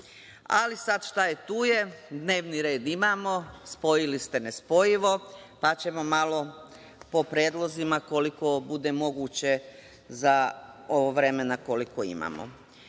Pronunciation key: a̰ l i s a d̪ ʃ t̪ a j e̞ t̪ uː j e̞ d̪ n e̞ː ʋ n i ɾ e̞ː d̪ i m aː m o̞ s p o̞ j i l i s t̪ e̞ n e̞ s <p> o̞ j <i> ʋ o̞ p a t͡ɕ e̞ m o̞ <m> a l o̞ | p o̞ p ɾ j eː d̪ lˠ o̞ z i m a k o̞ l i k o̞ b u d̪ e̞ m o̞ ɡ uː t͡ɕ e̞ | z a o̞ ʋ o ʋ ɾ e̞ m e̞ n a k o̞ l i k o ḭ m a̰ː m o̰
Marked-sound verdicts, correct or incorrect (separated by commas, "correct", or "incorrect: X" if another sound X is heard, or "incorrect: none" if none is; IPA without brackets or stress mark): correct, correct, correct